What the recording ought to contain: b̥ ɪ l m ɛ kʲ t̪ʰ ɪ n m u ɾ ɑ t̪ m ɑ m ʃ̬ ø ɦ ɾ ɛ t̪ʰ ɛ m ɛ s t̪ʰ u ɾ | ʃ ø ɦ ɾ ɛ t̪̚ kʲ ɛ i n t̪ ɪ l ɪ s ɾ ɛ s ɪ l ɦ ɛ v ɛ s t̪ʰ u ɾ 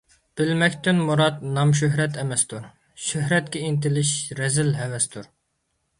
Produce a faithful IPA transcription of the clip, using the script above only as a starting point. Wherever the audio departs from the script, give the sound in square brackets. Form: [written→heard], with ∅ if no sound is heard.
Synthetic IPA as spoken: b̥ ɪ l m ɛ kʲ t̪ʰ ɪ n m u ɾ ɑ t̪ [m→n] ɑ m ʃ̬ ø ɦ ɾ ɛ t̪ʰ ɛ m ɛ s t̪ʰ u ɾ | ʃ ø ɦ ɾ ɛ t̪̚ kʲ ɛ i n t̪ ɪ l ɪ [s→ʃ] ɾ ɛ [s→z] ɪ l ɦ ɛ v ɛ s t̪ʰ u ɾ